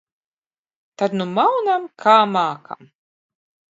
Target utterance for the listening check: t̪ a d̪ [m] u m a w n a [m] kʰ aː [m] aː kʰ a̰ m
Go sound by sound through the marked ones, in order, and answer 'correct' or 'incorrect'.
incorrect: n, correct, correct

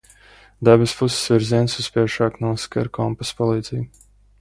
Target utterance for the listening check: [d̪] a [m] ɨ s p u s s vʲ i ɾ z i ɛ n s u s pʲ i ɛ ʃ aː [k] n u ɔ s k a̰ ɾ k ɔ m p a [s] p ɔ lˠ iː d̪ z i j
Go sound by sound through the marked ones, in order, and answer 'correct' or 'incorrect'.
correct, incorrect: b, correct, correct

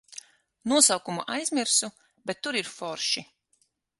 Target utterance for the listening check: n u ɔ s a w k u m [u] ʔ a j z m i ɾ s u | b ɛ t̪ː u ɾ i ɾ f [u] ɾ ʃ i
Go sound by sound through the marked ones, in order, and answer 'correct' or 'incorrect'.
correct, incorrect: ɔ

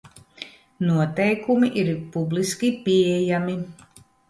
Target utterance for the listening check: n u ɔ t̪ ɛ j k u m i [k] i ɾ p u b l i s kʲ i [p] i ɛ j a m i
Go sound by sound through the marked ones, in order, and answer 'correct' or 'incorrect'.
incorrect: ʔ, correct

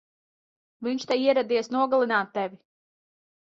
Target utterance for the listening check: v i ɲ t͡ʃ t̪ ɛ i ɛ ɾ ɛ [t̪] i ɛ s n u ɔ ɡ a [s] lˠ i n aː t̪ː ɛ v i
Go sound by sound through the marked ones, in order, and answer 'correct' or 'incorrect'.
incorrect: d̪, incorrect: none

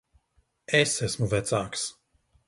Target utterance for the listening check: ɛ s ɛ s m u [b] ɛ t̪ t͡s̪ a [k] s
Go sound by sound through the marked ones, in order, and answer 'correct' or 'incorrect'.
incorrect: v, correct

